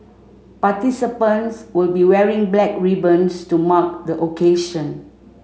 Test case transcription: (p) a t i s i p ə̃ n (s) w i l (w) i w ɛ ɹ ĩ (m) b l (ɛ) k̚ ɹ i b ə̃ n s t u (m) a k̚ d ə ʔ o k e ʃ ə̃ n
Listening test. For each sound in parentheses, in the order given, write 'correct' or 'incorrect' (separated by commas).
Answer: correct, correct, incorrect, incorrect, correct, correct